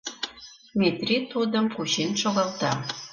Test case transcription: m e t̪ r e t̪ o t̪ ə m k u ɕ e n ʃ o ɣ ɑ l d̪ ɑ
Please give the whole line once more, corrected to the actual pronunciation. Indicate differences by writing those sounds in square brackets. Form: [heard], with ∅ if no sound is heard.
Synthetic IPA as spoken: m e t̪ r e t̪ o [d̪] ə m k u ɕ e n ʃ o ɣ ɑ l [t̪] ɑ